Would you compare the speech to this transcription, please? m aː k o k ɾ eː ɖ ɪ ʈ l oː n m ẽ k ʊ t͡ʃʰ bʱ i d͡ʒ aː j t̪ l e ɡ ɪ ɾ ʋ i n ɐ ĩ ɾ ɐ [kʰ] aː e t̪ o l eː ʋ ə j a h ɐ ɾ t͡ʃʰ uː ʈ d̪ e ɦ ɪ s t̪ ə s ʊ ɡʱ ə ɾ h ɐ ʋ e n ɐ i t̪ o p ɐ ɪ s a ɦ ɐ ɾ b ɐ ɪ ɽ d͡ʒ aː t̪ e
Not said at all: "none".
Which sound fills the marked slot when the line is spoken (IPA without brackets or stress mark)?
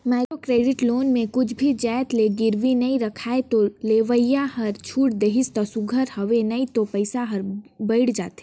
kʰ